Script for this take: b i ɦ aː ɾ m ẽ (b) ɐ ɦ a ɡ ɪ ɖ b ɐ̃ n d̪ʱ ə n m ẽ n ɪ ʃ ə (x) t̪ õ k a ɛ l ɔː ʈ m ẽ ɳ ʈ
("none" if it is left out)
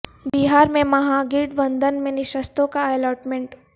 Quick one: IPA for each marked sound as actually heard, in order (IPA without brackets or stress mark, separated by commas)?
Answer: m, s